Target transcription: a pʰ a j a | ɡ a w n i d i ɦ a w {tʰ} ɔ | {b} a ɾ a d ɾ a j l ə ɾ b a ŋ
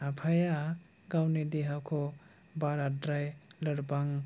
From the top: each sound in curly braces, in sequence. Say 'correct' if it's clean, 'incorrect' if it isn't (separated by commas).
incorrect, correct